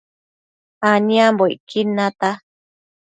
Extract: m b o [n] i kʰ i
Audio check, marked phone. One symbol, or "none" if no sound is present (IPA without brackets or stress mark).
none